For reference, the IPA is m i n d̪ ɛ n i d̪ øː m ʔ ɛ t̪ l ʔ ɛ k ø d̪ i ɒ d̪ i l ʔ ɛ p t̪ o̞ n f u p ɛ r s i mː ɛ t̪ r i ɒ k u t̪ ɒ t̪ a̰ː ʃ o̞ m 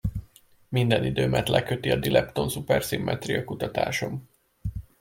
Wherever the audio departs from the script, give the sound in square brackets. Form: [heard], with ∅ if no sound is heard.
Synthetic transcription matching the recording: m i n d̪ ɛ n i d̪ øː m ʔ ɛ t̪ l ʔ ɛ k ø [t̪] i ɒ d̪ i l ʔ ɛ p t̪ o̞ n [s] u p ɛ r s i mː ɛ t̪ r i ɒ k u t̪ ɒ t̪ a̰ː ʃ o̞ m